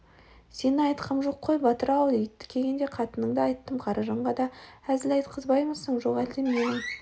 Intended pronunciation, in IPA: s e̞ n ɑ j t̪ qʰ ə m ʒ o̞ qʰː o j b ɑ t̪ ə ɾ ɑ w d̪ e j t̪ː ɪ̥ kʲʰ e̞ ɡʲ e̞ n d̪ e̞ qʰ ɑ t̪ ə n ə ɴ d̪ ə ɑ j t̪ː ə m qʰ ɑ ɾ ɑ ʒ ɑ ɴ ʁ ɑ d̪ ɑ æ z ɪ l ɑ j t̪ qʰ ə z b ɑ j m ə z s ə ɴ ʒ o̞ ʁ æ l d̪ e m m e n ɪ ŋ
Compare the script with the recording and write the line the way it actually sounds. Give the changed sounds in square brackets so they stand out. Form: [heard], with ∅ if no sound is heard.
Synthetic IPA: s e̞ n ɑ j t̪ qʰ ə m ʒ o̞ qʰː o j b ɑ t̪ ə ɾ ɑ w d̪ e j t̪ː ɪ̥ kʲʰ e̞ ɡʲ e̞ n d̪ e̞ qʰ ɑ t̪ ə n ə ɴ d̪ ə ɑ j t̪ː ə m qʰ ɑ ɾ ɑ ʒ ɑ ɴ ʁ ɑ d̪ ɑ æ z ɪ l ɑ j t̪ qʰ ə z b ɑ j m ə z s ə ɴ ʒ o̞ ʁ æ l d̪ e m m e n ɪ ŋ